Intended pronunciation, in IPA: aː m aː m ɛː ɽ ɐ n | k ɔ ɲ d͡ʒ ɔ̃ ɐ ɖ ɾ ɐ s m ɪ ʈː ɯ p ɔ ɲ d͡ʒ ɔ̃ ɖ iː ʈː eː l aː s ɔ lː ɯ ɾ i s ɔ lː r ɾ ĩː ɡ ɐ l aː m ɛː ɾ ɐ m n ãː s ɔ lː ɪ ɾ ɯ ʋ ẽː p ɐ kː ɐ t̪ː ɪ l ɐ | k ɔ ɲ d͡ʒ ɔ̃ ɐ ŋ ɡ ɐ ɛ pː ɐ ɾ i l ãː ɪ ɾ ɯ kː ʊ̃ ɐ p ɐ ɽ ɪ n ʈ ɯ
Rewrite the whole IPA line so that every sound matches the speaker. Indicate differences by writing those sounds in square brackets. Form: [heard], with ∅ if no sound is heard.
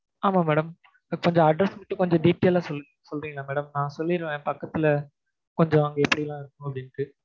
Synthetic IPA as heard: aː m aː m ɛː ɽ ɐ [m] | k ɔ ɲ d͡ʒ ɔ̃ ɐ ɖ ɾ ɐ s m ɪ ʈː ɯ [k] ɔ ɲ d͡ʒ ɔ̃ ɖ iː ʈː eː l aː s ɔ lː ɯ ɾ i s ɔ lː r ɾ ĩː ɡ ɐ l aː m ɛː [ɽ] ɐ m n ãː s ɔ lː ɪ ɾ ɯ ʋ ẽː p ɐ kː ɐ t̪ː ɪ l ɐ | k ɔ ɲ d͡ʒ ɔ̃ ɐ ŋ ɡ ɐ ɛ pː ɐ [ɽ] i l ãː ɪ ɾ ɯ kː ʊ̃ ɐ p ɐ ɽ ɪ n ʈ ɯ